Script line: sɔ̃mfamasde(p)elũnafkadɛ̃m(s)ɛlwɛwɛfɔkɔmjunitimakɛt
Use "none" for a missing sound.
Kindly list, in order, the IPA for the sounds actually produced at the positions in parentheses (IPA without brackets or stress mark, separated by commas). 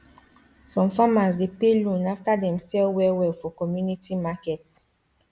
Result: p, s